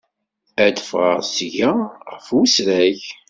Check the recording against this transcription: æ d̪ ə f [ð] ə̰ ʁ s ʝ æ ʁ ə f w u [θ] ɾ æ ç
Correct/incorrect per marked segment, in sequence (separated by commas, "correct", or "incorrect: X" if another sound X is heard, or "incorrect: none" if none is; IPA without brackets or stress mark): incorrect: ʁ, incorrect: s